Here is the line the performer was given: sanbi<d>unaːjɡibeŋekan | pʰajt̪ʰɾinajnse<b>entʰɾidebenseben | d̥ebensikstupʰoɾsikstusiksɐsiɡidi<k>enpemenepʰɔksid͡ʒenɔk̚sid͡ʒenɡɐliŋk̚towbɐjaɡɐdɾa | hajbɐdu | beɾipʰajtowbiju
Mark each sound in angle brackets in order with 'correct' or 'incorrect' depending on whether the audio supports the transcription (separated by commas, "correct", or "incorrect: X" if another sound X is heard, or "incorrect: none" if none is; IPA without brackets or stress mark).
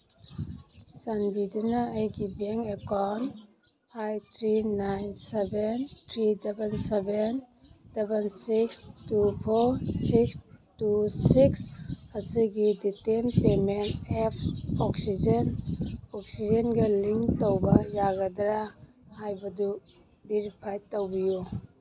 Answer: correct, correct, incorrect: t